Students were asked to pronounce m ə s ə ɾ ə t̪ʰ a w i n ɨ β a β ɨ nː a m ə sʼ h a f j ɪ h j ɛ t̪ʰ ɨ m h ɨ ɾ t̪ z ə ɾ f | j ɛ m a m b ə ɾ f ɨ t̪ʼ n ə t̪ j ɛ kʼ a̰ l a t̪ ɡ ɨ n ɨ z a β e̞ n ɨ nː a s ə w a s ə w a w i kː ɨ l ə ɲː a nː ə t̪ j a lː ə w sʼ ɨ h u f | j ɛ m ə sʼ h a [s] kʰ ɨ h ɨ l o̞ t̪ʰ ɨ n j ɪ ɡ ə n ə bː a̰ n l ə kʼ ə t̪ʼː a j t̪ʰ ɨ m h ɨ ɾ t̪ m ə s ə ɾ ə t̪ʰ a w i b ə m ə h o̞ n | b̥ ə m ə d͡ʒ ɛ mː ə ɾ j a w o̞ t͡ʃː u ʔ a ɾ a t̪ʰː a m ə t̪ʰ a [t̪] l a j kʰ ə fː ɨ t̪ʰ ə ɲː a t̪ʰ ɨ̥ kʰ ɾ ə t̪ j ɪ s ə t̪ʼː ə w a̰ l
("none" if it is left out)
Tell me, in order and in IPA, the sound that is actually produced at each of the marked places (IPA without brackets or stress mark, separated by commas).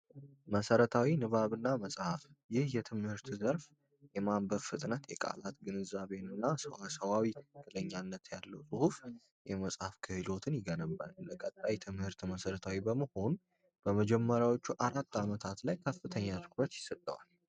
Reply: f, t̪